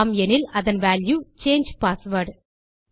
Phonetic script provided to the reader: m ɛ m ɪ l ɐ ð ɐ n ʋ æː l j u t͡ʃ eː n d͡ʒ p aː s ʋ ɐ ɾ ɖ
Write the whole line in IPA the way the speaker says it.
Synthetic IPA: m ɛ n ɪ l ɐ ð ɐ n ʋ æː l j u t͡ʃ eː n d͡ʒ p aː s ʋ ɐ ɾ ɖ